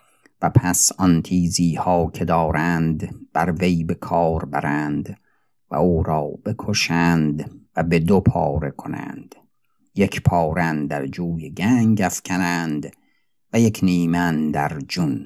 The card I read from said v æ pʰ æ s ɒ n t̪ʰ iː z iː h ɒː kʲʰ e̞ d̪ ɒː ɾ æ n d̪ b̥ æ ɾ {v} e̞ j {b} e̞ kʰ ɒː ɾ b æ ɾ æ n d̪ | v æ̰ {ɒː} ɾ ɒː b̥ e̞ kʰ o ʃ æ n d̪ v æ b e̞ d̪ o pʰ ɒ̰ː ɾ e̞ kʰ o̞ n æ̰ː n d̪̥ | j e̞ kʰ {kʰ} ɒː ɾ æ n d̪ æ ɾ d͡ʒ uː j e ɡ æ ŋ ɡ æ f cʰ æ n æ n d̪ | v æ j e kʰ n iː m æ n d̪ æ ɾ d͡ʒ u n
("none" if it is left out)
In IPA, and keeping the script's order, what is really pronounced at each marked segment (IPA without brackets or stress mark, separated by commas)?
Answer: v, b, uː, pʰ